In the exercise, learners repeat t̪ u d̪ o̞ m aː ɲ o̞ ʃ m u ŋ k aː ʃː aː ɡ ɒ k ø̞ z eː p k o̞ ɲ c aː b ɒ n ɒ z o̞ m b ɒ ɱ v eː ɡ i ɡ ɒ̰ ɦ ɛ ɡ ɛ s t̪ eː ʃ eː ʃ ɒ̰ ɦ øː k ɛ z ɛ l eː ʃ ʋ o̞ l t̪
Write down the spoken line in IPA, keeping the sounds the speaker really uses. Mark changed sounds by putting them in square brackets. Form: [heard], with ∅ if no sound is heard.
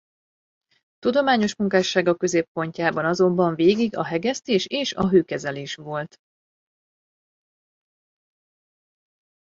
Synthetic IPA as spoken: t̪ u d̪ o̞ m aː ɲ o̞ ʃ m u ŋ k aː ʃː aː ɡ ɒ k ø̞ z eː p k o̞ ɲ c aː b ɒ n ɒ z o̞ m b ɒ ɱ v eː ɡ i ɡ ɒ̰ ɦ ɛ ɡ ɛ s t̪ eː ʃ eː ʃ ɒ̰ ɦ øː k ɛ z ɛ l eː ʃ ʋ o̞ l t̪